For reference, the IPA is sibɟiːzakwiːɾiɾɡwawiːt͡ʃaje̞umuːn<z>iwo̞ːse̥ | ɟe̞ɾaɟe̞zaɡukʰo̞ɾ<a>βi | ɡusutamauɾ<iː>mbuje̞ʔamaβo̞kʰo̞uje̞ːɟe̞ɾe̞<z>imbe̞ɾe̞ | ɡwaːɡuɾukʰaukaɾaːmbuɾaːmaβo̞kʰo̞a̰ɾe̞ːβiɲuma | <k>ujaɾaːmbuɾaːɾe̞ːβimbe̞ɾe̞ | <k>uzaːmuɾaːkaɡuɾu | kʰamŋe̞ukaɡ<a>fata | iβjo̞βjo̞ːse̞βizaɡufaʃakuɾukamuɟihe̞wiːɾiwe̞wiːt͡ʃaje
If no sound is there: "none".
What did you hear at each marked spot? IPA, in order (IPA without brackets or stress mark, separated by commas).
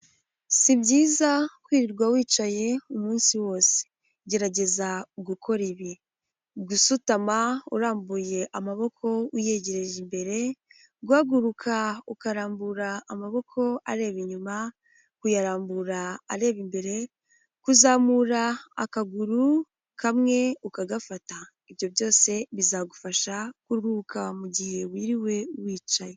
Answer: s, i, aː, ʒ, k, k, a